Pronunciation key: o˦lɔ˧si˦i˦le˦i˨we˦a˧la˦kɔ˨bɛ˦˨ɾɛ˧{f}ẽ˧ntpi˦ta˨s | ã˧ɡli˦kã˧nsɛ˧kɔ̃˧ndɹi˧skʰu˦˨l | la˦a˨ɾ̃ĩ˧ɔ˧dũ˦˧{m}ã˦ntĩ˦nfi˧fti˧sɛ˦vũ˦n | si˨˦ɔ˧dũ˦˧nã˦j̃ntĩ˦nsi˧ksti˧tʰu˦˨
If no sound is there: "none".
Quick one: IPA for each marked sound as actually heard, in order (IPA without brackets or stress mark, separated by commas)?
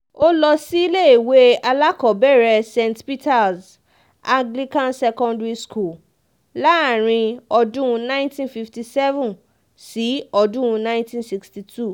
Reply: s, n